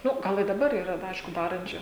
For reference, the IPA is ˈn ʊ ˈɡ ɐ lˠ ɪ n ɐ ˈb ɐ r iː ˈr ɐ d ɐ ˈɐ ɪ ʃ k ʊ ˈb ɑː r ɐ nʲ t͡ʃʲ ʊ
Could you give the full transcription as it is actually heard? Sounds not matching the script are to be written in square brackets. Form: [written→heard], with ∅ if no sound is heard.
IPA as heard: ˈn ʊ ˈɡ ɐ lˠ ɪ [n→d] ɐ ˈb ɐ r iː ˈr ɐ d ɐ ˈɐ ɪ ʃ k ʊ [ˈb→ˈd] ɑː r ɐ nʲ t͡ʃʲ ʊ